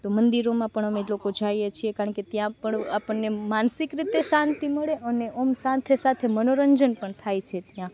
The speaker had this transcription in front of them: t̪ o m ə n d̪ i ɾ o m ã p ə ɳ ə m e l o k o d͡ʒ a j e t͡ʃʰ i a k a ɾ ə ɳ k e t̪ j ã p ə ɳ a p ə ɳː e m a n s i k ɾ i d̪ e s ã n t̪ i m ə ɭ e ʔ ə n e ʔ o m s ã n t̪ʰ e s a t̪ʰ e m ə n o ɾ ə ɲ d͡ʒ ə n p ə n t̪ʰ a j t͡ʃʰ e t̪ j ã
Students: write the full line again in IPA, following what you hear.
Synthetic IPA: t̪ o m ə n d̪ i ɾ o m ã p ə ɳ ə m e l o k o d͡ʒ a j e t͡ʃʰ i e k a ɾ ə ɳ k e t̪ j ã p ə ɳ a p ə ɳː e m a n s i k ɾ i t̪ e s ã n t̪ i m ə ɭ e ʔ ə n e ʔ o m s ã n t̪ʰ e s a t̪ʰ e m ə n o ɾ ə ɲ d͡ʒ ə n p ə ɳ t̪ʰ a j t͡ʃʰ e t̪ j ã